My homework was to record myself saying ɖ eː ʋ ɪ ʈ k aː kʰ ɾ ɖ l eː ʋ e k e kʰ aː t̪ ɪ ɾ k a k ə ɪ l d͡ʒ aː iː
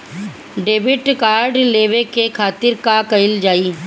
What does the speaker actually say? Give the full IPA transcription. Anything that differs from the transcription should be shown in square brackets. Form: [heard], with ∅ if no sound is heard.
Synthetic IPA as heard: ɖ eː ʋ ɪ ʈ k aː [∅] ɾ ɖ l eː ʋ e k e kʰ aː t̪ ɪ ɾ k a k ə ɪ l d͡ʒ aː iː